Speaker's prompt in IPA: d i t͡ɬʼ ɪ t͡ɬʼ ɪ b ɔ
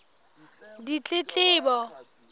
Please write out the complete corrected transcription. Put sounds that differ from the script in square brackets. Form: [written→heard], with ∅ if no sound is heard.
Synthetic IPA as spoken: d i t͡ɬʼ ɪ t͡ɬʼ [ɪ→ɪː] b ɔ